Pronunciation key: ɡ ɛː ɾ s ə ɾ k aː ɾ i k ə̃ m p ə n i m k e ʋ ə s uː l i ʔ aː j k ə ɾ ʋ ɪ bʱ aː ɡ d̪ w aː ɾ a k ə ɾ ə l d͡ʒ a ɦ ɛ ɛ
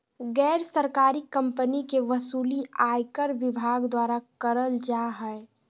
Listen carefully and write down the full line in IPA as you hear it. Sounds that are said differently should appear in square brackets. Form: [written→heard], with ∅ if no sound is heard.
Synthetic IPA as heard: ɡ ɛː ɾ s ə ɾ k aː ɾ i k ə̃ m p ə n i [m→∅] k e ʋ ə s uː l i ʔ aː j k ə ɾ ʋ ɪ bʱ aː ɡ d̪ w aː ɾ a k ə ɾ ə l d͡ʒ a ɦ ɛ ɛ